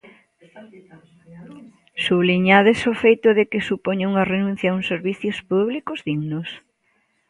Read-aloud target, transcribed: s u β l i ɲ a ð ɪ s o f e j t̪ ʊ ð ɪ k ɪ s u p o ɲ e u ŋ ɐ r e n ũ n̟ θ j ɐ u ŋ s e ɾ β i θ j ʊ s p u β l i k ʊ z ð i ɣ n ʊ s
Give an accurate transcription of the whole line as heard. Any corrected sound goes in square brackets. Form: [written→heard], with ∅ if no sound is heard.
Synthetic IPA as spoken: s u β l i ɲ a ð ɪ s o f e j t̪ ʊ ð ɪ k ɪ s u p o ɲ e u ŋ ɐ r e n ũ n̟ θ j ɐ u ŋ s e ɾ β i θ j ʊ s p u β l i k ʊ z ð i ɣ n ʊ s